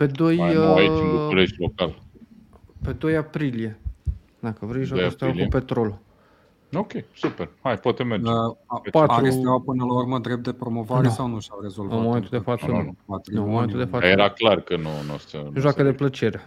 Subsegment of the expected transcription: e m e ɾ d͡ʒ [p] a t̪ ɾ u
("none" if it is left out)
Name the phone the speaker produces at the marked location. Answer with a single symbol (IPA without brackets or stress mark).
p